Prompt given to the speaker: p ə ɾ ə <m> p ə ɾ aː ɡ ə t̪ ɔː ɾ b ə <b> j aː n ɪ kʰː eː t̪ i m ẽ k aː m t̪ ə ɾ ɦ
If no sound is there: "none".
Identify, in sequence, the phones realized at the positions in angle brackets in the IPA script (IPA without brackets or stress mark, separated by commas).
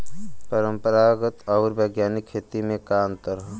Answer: m, ɡ